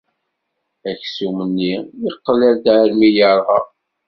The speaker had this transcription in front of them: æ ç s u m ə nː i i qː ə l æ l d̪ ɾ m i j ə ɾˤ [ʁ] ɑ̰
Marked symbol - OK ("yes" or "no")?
yes